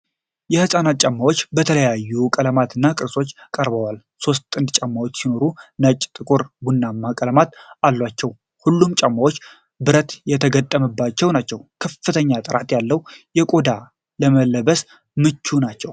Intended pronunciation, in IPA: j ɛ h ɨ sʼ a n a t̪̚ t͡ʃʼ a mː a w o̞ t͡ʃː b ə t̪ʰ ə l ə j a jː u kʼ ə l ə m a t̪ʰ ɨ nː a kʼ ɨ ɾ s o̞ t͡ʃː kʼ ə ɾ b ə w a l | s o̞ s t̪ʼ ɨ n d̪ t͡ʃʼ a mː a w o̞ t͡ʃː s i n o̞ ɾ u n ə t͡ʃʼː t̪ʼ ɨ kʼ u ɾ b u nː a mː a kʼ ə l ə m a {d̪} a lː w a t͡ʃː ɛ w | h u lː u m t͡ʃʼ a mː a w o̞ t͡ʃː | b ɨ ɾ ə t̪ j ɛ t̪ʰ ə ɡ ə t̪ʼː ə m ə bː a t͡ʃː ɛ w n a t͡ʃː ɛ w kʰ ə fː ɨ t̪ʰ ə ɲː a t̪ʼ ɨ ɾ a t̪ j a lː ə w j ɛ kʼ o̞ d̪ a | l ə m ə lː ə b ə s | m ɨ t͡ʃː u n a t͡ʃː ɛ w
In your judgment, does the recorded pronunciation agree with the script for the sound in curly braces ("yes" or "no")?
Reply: no